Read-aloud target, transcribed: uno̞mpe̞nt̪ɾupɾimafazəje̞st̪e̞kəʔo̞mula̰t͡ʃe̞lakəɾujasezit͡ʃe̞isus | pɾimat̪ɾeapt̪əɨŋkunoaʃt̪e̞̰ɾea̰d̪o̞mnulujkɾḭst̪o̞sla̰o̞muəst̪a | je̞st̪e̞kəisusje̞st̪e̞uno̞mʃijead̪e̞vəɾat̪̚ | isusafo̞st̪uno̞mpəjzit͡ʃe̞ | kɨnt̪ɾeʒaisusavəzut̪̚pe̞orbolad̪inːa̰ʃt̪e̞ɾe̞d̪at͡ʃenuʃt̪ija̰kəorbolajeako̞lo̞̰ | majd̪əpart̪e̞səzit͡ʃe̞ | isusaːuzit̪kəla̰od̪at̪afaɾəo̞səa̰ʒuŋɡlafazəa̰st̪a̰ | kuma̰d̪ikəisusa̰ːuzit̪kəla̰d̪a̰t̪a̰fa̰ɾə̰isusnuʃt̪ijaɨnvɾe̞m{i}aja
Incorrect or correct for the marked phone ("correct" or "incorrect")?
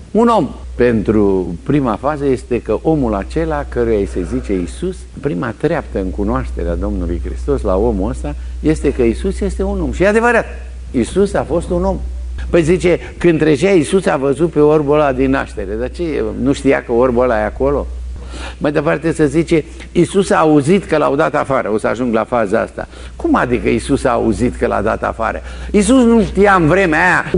incorrect